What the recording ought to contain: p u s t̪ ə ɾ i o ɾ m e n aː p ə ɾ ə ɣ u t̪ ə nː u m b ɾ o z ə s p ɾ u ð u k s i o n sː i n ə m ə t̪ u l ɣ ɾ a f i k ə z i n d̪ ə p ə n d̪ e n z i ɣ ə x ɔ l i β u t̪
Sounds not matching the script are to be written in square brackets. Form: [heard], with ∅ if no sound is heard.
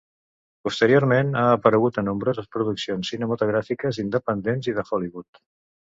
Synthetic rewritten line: p u s t̪ ə ɾ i o ɾ m e n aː p ə ɾ ə ɣ u t̪ ə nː u m b ɾ o z ə s p ɾ u ð u k s i o n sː i n ə m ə t̪ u [∅] ɣ ɾ a f i k ə z i n d̪ ə p ə n d̪ e n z i [ð] ə x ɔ l i β u t̪